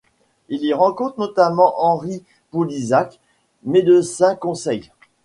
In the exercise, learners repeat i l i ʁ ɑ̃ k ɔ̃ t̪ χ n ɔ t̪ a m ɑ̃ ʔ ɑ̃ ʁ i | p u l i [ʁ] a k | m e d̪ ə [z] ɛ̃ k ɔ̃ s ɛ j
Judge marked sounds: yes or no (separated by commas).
no, no